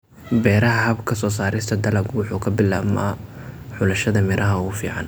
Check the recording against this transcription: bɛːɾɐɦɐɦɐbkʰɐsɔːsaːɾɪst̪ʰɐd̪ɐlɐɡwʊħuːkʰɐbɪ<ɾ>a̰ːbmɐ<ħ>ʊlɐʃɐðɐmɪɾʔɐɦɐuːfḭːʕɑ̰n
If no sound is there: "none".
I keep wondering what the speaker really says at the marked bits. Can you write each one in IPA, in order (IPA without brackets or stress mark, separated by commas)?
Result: l, ħ